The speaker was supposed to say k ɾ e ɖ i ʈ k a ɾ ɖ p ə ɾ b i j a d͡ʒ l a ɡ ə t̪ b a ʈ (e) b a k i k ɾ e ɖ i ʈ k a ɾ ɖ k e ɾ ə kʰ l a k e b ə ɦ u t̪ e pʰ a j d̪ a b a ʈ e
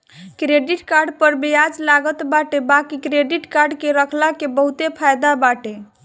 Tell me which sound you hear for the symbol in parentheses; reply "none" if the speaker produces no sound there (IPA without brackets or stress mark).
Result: e